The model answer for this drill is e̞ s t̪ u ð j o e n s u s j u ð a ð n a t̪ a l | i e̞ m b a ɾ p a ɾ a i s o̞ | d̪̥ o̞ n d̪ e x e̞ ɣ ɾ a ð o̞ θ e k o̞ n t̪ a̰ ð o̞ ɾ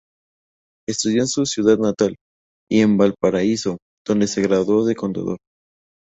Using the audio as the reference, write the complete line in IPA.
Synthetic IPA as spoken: e̞ s t̪ u ð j o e n s u s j u ð a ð n a t̪ a l | i e̞ m b a l p a ɾ a i s o̞ | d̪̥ o̞ n d̪ e s e̞ ɣ ɾ a ð o̞ ð e k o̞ n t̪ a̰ ð o̞ ɾ